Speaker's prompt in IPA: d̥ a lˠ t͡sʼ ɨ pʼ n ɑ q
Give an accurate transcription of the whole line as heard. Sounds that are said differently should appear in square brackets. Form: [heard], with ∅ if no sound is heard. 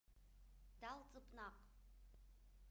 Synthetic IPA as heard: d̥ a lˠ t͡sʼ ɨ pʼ n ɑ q